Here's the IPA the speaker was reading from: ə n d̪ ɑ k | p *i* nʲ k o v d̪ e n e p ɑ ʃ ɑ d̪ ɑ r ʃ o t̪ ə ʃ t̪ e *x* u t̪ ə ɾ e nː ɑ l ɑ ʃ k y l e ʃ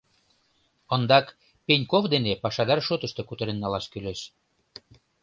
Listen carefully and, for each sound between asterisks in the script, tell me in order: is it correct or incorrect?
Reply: incorrect: e, incorrect: k

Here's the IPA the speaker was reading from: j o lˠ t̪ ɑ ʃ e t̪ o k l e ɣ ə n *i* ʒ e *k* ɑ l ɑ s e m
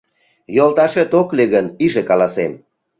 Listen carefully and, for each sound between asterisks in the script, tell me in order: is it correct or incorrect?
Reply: correct, correct

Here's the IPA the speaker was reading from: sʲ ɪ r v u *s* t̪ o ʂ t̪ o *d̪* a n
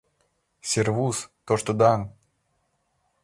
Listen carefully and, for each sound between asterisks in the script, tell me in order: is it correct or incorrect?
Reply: correct, correct

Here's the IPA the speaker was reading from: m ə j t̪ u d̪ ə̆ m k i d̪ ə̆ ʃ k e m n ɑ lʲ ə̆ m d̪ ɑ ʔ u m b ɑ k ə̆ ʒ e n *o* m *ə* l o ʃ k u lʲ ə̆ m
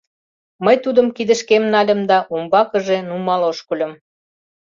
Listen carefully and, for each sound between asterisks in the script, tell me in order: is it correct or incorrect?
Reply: incorrect: u, incorrect: ɑ

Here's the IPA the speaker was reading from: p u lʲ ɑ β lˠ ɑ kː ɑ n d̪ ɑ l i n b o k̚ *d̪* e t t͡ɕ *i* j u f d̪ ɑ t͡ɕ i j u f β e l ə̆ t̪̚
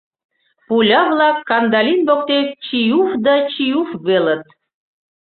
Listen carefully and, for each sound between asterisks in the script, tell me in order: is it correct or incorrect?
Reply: incorrect: t̪, correct

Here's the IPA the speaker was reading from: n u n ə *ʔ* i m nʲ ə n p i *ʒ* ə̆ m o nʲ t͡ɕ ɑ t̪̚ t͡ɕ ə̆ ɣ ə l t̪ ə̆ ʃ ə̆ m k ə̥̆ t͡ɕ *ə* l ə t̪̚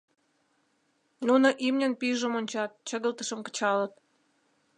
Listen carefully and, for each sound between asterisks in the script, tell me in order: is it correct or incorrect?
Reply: correct, correct, incorrect: ɑ

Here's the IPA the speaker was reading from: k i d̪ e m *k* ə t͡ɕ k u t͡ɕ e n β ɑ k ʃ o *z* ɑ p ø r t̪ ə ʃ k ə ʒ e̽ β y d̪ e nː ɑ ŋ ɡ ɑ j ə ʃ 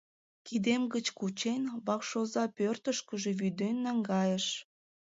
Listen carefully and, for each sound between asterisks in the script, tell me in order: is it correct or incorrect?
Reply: incorrect: ɡ, correct

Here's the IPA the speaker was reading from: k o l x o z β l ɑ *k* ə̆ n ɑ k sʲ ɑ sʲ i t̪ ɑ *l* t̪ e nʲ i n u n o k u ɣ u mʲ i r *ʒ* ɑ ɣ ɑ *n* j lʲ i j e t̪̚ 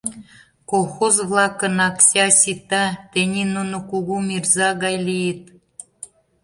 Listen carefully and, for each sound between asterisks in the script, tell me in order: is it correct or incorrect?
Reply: correct, incorrect: none, incorrect: z, incorrect: none

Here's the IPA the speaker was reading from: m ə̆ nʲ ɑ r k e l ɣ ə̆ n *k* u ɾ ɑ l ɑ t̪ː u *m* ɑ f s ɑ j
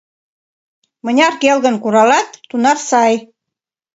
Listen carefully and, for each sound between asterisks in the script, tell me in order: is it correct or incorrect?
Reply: correct, incorrect: n

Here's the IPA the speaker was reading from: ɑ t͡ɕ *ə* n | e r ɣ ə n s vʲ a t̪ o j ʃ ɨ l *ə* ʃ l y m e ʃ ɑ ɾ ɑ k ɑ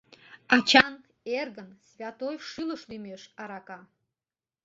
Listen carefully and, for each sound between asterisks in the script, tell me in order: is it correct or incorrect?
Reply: incorrect: ɑ, correct

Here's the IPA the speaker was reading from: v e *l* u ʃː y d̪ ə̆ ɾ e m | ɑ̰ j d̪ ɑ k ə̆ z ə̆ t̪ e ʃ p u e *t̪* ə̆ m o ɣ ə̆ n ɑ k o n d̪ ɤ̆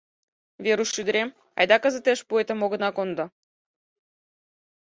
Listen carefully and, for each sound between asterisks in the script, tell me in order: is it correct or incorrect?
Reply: incorrect: ɾ, correct

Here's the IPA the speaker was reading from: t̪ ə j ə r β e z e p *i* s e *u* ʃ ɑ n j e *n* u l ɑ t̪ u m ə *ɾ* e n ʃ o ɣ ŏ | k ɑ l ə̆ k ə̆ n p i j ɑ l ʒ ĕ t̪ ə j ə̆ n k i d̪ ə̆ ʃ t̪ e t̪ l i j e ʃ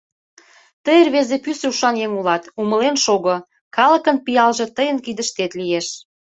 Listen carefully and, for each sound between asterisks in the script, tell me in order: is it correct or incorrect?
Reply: incorrect: y, correct, incorrect: ŋ, incorrect: l

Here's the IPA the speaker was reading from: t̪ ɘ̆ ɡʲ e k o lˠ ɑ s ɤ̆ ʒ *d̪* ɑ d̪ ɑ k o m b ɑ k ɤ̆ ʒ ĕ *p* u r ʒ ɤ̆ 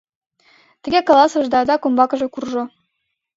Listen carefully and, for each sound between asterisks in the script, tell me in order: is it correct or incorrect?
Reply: correct, incorrect: k

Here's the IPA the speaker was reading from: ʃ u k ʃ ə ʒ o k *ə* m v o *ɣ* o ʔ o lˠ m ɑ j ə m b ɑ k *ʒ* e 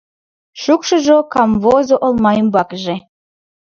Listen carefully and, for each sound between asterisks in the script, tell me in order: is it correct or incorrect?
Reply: incorrect: ɑ, incorrect: z, correct

